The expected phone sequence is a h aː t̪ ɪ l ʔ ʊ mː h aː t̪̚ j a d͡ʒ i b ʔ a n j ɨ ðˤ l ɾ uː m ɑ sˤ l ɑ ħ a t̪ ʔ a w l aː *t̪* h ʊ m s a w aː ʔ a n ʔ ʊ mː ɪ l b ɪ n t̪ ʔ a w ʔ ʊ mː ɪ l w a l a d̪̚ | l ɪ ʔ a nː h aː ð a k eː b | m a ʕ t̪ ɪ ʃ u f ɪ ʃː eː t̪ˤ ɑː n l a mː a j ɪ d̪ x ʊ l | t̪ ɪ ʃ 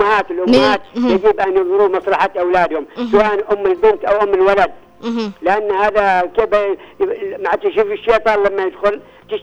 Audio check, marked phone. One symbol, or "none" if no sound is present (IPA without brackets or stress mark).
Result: d̪